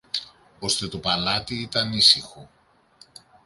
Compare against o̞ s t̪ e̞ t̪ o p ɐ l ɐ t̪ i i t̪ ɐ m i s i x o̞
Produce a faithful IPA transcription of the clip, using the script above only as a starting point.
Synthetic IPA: o̞ s t̪ e̞ t̪ o p ɐ l ɐ t̪ i i t̪ ɐ n i s i x o̞